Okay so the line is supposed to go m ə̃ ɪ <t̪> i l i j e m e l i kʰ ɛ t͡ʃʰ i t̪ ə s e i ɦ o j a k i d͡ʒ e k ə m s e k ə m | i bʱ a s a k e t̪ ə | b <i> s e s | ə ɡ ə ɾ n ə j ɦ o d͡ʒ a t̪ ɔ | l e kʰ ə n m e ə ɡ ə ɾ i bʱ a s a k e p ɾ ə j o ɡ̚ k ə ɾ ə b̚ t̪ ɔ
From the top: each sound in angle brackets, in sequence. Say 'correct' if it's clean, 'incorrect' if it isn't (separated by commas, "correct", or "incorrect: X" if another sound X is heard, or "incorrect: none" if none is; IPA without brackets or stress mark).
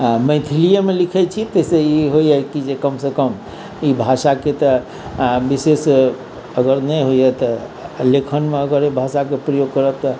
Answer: incorrect: t̪ʰ, correct